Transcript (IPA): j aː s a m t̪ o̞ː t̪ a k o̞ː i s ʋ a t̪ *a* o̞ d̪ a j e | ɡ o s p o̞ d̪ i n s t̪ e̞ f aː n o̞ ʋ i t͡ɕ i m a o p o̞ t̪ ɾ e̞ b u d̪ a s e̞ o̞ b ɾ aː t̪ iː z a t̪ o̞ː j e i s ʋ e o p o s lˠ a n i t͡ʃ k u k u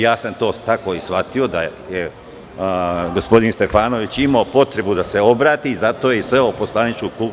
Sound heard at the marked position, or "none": i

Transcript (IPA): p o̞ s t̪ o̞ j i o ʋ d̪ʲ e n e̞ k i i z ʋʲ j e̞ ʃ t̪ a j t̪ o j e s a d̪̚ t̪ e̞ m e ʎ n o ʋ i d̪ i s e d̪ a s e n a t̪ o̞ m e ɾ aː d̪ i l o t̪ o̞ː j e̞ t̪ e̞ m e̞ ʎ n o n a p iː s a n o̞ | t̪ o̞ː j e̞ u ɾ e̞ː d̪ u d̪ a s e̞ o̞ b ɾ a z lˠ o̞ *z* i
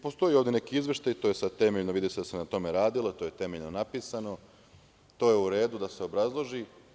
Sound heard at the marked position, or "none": ʒ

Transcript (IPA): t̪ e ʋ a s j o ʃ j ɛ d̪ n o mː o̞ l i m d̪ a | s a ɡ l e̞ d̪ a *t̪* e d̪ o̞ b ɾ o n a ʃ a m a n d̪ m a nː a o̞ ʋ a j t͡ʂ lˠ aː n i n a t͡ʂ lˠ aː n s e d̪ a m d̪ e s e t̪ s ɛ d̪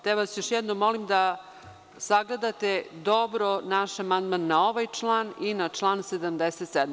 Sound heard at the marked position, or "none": t̪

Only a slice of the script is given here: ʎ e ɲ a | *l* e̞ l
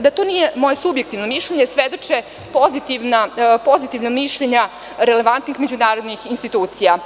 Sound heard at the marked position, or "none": ɾ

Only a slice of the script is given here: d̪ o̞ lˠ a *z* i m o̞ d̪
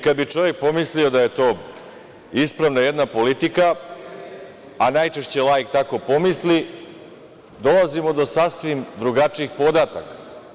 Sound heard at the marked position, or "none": z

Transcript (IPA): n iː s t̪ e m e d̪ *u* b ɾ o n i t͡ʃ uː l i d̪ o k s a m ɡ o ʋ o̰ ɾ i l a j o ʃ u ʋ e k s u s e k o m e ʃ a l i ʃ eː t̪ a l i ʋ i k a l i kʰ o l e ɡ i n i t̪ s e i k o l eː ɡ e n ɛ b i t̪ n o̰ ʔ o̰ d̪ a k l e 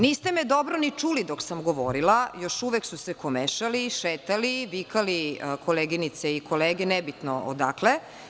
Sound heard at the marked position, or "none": o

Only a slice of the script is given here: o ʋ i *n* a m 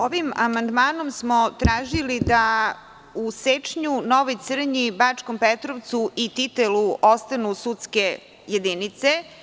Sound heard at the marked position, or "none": m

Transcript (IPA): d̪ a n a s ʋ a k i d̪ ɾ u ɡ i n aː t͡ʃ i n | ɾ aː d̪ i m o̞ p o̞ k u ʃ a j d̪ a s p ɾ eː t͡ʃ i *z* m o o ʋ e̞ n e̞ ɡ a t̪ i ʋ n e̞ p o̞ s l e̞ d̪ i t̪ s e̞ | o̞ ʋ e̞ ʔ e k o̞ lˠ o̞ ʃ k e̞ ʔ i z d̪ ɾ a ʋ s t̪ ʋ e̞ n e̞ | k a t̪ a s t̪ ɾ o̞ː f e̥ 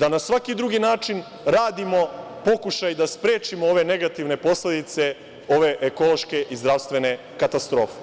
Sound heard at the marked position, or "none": none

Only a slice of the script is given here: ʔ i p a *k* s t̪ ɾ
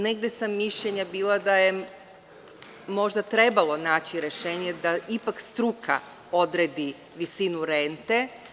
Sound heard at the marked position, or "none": k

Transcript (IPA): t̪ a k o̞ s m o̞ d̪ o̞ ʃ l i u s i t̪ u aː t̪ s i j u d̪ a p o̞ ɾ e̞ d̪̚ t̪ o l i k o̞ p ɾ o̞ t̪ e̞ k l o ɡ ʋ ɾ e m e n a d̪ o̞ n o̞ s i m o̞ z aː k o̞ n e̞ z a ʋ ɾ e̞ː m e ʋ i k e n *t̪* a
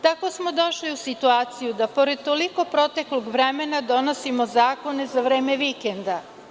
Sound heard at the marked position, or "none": d̪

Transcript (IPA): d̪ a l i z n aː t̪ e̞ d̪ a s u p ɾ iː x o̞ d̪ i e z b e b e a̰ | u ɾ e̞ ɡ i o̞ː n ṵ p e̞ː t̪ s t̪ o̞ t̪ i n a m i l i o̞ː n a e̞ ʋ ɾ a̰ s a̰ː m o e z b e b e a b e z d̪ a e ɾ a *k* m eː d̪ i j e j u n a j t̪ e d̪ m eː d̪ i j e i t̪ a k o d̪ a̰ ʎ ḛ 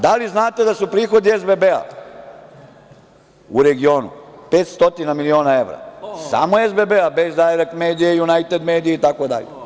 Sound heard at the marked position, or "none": k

